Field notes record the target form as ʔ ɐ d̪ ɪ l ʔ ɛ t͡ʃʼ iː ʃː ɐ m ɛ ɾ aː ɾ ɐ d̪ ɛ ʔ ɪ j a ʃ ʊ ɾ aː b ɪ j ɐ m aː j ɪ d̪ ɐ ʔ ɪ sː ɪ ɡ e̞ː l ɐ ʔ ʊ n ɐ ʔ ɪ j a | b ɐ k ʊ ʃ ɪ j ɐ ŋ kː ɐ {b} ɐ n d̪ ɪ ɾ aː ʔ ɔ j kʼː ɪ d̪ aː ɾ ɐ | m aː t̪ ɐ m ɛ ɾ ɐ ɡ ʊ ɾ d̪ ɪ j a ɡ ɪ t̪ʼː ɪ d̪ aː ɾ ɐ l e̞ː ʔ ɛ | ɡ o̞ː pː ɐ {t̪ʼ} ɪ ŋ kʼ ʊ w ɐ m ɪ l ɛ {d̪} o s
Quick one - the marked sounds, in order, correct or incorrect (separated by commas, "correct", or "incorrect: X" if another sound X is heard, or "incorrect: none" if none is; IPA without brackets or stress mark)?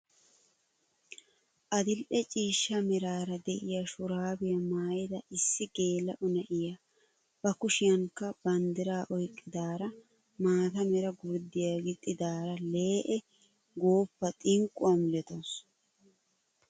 correct, correct, incorrect: t̪